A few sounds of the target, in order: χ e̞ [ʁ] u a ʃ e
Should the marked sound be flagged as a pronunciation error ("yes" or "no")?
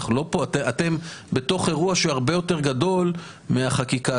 no